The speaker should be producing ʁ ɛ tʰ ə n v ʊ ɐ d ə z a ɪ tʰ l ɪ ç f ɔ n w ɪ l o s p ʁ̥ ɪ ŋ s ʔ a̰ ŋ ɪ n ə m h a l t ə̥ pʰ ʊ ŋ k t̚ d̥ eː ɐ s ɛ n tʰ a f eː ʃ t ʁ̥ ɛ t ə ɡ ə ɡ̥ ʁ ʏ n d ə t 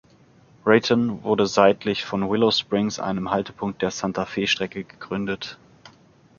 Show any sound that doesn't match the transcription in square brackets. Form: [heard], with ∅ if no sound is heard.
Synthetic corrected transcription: ʁ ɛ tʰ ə n v ʊ ɐ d ə z a ɪ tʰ l ɪ ç f ɔ n w ɪ l o s p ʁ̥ ɪ ŋ s ʔ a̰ [∅] ɪ n ə m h a l t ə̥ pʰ ʊ ŋ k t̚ d̥ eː ɐ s [a] n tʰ a f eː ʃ t ʁ̥ ɛ [k] ə ɡ ə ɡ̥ ʁ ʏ n d ə t